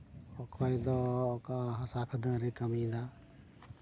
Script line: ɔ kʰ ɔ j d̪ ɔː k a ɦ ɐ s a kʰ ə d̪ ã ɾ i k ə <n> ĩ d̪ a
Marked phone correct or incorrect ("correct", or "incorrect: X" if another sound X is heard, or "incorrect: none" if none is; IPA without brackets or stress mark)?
incorrect: m